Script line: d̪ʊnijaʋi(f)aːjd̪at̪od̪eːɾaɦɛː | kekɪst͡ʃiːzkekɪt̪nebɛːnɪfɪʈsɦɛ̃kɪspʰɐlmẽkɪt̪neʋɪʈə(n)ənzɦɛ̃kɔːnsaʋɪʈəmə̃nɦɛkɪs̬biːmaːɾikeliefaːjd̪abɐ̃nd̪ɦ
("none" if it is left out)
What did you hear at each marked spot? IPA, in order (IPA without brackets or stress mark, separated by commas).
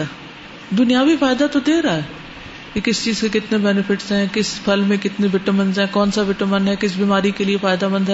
f, m